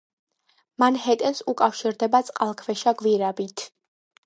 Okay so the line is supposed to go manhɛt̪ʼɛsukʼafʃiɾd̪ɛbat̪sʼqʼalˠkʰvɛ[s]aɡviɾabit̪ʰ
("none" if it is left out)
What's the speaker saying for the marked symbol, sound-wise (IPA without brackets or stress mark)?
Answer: ʃ